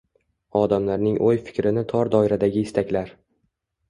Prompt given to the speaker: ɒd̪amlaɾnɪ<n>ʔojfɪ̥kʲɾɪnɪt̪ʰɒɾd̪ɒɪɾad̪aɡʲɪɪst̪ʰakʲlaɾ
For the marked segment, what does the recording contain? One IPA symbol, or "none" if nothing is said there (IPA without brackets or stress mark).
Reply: ŋ